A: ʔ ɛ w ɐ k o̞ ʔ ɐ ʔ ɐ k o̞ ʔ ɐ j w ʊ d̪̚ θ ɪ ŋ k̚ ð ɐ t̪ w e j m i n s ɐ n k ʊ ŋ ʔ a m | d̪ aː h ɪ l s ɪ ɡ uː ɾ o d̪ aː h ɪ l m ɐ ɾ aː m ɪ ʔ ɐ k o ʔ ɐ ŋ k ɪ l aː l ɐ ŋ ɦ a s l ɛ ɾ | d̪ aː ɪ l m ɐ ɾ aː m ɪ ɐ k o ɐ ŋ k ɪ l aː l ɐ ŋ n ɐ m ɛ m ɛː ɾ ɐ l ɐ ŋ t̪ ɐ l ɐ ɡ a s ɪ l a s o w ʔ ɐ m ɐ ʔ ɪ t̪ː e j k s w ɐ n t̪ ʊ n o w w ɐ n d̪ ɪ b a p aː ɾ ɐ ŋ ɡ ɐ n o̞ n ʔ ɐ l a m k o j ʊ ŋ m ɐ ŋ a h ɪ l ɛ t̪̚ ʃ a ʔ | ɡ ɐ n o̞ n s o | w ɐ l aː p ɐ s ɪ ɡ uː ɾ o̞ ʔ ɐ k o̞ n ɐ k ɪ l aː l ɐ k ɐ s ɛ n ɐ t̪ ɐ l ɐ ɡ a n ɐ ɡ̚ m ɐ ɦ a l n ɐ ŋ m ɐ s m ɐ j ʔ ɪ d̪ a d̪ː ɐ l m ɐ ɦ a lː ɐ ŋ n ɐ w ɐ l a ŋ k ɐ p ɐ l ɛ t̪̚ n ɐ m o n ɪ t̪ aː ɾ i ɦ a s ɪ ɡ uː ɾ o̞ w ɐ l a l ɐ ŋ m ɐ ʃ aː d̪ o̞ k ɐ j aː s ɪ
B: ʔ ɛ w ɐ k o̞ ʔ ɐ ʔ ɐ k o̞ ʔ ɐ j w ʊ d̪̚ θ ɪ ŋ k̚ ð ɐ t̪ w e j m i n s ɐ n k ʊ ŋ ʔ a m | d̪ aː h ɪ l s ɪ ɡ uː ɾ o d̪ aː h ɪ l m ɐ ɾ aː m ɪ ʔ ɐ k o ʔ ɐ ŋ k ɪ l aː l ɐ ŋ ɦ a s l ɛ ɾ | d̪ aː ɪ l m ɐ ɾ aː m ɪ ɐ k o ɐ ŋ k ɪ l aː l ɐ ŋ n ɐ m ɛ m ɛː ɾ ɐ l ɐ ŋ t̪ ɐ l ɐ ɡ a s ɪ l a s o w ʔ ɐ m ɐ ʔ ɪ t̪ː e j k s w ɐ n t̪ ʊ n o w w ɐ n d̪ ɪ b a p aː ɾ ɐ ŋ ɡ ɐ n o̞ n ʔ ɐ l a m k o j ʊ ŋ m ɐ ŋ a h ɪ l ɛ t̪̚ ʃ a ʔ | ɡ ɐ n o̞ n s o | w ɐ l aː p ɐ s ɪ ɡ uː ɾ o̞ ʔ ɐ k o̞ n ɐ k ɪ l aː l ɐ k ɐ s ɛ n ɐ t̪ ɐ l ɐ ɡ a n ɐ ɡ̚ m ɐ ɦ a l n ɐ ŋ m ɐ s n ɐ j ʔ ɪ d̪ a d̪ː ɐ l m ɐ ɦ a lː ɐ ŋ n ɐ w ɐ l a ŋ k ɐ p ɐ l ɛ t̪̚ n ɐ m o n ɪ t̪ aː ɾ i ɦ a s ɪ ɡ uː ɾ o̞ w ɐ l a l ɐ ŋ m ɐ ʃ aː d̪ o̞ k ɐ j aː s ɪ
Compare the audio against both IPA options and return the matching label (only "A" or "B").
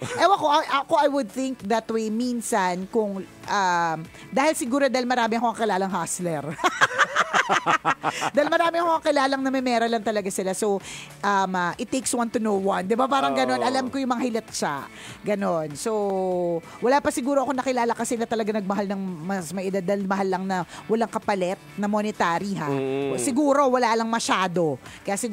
A